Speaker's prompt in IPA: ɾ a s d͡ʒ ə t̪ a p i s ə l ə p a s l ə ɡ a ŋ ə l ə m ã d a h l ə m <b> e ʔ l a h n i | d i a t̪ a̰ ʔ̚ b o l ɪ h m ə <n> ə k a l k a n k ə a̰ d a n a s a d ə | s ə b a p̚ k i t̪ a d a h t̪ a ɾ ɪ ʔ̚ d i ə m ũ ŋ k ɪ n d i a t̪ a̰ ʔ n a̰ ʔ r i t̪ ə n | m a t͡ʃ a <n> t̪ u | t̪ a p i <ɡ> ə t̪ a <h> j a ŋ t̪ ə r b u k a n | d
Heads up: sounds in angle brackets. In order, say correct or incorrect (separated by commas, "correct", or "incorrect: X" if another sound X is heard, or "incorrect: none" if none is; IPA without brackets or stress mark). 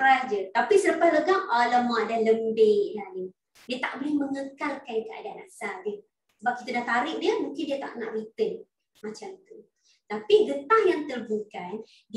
correct, incorrect: ŋ, incorrect: m, correct, correct